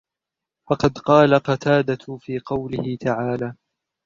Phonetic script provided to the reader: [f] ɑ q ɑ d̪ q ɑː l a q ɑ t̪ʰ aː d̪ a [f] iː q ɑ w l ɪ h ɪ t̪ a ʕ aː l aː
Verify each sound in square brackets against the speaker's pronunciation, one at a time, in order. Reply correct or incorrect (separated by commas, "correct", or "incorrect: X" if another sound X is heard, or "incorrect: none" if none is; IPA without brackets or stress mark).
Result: correct, correct